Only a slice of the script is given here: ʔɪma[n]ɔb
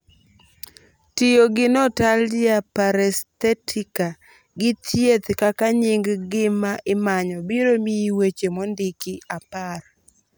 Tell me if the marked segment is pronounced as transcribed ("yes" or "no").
no